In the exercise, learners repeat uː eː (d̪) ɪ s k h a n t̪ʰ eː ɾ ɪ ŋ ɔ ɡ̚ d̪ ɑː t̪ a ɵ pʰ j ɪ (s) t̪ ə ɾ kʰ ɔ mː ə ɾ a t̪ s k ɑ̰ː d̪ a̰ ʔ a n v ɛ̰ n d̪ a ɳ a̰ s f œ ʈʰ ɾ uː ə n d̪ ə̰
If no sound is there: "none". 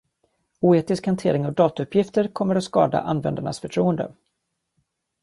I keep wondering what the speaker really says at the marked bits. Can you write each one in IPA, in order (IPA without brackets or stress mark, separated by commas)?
t̪, f